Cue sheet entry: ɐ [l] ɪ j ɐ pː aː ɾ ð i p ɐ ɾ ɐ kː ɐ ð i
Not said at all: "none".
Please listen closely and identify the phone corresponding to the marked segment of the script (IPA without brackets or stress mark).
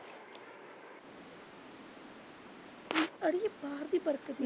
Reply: ɽ